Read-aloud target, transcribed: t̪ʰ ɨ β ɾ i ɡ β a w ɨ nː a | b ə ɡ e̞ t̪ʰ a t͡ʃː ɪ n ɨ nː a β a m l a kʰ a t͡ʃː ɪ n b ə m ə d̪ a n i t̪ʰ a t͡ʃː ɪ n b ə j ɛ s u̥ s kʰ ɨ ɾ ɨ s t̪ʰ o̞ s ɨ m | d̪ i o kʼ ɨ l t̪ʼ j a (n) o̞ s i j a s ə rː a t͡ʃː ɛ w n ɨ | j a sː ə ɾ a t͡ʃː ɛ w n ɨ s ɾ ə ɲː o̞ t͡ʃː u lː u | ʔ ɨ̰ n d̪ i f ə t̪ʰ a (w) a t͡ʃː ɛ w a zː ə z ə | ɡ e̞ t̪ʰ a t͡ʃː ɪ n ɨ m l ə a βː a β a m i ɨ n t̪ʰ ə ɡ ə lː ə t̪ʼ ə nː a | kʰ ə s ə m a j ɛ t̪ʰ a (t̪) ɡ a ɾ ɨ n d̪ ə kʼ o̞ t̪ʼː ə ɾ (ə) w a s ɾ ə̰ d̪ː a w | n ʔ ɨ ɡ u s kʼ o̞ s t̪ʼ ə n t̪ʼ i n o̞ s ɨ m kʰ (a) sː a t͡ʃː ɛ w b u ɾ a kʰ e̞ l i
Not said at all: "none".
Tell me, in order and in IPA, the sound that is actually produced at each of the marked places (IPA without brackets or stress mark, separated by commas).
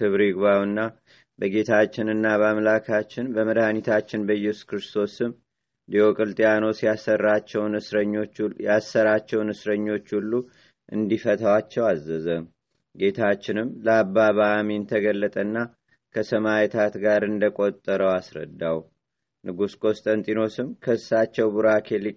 n, w, t̪, ə, ə